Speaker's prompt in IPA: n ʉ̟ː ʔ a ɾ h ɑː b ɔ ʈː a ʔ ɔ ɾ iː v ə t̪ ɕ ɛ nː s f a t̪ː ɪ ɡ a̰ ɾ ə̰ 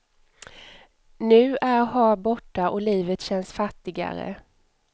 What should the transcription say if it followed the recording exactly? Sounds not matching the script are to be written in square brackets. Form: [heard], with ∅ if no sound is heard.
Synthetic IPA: n ʉ̟ː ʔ [æ] ɾ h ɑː b ɔ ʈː a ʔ ɔ [l] iː v ə t̪ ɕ ɛ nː s f a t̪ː ɪ ɡ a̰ ɾ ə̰